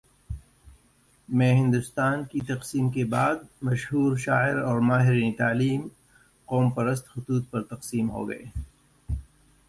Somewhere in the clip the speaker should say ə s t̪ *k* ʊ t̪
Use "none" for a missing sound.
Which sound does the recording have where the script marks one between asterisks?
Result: x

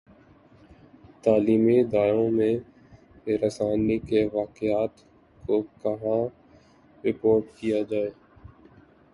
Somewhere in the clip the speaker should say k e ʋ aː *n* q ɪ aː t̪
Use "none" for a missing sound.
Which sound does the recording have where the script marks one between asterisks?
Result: none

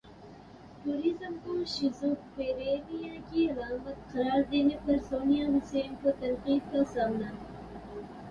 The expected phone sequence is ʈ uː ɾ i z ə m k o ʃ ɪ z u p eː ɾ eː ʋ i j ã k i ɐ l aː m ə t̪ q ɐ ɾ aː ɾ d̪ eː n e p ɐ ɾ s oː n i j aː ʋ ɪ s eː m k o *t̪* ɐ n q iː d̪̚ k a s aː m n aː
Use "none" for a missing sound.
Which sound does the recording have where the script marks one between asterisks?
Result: t̪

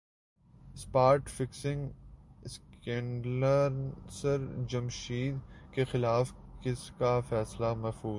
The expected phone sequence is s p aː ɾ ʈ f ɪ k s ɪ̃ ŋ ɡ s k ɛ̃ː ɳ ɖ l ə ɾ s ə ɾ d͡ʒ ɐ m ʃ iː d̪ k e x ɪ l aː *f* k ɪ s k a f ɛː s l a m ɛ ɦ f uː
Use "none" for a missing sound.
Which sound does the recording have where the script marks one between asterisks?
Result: f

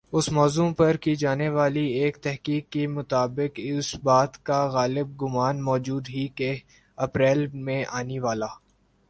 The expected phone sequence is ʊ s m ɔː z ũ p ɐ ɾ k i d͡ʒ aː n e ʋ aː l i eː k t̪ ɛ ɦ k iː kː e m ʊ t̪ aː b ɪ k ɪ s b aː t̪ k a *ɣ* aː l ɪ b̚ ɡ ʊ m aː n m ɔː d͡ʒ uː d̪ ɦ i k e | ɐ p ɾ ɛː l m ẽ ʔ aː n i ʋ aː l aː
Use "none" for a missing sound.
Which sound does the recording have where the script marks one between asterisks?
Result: ɣ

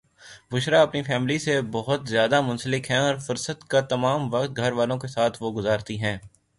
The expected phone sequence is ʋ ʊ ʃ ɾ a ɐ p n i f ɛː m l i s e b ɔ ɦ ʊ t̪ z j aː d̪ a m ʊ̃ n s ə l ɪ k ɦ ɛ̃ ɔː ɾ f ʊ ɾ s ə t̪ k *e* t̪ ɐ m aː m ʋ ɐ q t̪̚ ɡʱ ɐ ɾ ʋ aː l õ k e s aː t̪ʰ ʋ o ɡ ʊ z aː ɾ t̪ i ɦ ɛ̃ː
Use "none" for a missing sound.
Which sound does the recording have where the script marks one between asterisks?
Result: a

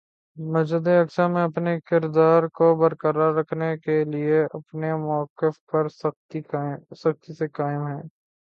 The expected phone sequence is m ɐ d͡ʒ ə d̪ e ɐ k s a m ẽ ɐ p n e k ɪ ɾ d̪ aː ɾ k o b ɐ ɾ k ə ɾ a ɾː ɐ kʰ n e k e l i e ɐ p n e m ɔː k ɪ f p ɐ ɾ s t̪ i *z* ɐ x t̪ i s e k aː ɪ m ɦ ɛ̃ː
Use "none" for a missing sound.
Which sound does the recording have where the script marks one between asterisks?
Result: s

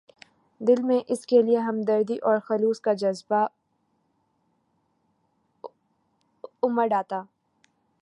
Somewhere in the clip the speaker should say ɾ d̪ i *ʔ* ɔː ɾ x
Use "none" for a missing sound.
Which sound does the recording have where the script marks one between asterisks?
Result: ʔ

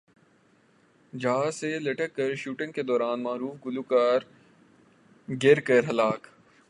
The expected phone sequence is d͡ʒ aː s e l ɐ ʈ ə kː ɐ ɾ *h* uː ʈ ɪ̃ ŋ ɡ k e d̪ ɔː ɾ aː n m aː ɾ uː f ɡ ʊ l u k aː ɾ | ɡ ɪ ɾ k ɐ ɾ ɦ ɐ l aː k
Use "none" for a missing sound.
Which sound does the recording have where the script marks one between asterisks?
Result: ʃ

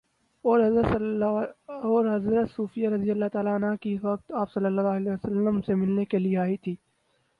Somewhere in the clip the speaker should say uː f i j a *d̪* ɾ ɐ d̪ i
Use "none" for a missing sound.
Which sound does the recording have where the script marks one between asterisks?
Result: none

